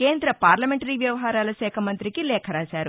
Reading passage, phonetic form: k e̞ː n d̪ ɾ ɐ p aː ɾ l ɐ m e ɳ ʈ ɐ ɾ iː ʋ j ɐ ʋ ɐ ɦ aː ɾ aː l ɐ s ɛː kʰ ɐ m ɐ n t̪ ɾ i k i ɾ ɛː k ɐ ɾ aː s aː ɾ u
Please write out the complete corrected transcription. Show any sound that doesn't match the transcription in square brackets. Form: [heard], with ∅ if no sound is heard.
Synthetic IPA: k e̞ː n d̪ ɾ ɐ p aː ɾ l ɐ m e ɳ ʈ ɐ ɾ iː ʋ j ɐ ʋ ɐ ɦ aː ɾ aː l ɐ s ɛː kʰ ɐ m ɐ n t̪ ɾ i k i [l] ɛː [kʰ] ɐ ɾ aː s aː ɾ u